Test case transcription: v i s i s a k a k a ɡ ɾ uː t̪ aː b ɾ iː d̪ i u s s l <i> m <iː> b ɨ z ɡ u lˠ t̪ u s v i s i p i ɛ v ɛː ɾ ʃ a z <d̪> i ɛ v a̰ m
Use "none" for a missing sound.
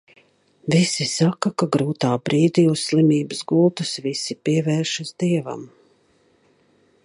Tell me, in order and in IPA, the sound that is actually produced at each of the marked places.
i, iː, d̪

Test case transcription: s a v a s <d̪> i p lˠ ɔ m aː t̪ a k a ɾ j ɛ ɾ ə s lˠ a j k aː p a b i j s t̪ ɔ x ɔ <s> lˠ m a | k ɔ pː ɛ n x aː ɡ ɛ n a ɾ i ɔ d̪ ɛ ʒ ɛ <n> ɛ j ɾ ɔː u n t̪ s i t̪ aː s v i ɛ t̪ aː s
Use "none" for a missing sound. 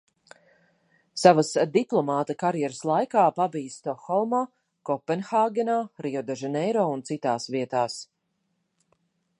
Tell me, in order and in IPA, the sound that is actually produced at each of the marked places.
d̪, none, n

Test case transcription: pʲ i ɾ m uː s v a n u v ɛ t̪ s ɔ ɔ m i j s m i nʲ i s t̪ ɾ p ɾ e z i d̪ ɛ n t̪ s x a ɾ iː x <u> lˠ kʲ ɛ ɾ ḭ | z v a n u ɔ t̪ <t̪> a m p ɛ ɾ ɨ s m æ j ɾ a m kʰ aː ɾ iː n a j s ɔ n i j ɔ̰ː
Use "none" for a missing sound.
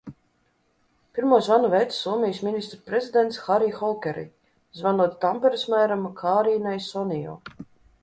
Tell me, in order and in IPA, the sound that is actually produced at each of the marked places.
ɔ, t̪

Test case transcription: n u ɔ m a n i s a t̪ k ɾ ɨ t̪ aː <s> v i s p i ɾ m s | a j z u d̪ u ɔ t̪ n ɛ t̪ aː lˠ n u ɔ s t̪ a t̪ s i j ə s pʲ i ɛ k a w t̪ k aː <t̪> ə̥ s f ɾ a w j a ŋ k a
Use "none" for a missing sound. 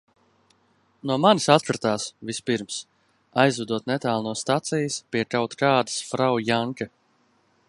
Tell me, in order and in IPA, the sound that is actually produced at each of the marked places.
s, d̪

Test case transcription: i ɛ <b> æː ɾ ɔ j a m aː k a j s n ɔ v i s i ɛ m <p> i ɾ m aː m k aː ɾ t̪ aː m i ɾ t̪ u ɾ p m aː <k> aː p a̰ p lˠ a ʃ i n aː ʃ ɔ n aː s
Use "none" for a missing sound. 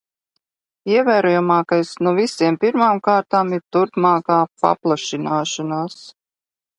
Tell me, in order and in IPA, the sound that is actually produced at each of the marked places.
v, p, k

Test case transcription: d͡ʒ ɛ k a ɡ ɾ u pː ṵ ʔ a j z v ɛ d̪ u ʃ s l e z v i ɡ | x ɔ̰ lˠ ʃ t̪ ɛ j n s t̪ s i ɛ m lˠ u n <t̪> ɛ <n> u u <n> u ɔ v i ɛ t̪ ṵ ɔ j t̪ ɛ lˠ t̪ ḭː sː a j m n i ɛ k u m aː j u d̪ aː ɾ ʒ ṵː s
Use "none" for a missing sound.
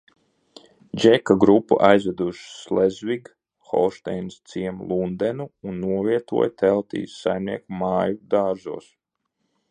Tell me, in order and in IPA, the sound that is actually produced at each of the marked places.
d̪, n, nː

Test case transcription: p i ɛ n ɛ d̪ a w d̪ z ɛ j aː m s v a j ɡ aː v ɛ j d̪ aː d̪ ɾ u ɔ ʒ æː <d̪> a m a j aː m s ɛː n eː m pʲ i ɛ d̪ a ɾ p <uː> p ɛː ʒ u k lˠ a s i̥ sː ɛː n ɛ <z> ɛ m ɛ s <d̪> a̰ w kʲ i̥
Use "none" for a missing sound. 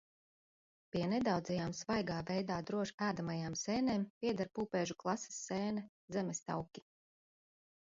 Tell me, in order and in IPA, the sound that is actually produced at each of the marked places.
d̪, uː, z, t̪

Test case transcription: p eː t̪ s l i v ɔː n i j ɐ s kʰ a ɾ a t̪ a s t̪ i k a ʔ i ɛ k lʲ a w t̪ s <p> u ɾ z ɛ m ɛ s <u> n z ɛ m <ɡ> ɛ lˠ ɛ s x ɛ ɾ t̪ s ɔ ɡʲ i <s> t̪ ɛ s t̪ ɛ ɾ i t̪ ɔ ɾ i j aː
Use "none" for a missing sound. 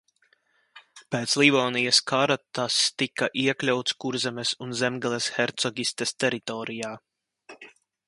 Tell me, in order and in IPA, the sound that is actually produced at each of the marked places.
k, u, ɡ, s

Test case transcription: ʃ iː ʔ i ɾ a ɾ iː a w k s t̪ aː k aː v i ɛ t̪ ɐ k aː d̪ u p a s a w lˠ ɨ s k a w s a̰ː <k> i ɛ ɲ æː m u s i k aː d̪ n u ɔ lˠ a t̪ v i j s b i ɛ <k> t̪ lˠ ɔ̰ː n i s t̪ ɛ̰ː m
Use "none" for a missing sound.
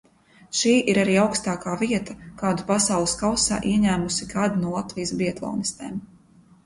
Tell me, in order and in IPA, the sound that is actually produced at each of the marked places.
ʔ, none

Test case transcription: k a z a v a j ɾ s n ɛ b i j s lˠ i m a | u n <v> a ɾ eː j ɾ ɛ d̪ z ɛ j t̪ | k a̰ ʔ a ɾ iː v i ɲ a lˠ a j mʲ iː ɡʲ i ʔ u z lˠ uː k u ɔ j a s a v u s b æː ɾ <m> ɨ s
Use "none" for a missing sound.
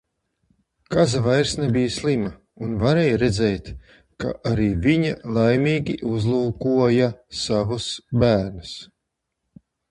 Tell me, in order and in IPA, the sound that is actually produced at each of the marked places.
v, n

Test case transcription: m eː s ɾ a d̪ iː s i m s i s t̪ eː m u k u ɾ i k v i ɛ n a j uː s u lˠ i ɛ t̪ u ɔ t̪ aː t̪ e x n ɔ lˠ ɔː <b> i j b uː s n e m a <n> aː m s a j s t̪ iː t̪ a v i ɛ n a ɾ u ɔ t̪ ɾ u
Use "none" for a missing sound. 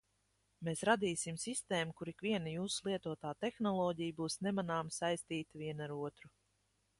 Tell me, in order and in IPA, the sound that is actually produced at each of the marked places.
ɟ, n

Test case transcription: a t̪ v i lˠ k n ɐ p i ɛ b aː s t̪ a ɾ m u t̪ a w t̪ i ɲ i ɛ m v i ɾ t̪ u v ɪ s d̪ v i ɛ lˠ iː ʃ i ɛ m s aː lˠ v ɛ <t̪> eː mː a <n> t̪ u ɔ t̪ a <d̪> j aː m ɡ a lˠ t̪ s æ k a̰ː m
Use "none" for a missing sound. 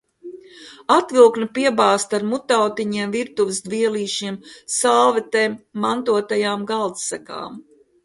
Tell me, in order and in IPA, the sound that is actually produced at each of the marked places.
t̪, n, none

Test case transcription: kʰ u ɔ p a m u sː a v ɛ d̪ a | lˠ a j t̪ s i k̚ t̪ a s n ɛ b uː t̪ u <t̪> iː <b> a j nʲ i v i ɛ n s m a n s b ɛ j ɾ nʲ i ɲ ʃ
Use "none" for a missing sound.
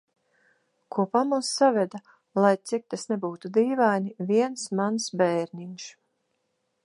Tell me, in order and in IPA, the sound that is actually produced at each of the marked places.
d̪, v

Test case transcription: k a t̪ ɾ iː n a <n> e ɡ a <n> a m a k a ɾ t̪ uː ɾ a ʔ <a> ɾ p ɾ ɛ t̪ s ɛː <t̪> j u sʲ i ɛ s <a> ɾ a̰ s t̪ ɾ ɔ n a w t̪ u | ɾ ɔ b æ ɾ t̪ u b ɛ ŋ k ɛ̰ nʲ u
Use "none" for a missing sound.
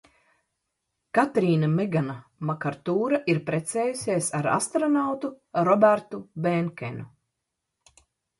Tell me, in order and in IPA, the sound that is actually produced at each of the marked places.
m, n, i, none, a

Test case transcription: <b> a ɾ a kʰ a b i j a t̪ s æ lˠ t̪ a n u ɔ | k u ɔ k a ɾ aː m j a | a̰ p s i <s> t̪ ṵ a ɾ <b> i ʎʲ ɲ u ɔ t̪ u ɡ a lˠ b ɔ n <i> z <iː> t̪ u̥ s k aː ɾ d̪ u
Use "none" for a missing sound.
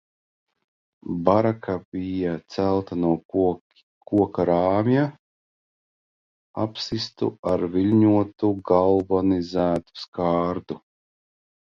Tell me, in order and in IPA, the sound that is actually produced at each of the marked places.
b, s, v, i, æː

